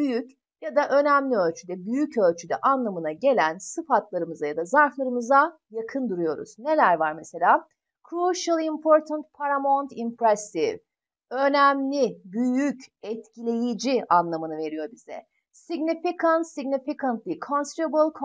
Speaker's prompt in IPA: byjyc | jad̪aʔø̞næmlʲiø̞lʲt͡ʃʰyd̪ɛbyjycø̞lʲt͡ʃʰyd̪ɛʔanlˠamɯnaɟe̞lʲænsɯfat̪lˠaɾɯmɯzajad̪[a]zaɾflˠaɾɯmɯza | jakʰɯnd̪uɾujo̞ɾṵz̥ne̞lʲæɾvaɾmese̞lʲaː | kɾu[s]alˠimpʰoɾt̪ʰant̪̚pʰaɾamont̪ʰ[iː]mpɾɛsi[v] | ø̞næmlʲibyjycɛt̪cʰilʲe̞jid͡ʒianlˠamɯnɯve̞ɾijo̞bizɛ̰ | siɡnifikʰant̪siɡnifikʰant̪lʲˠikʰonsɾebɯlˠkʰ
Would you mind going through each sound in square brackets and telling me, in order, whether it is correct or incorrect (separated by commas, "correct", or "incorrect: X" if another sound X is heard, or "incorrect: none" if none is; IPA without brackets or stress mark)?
correct, incorrect: ʃ, incorrect: i, correct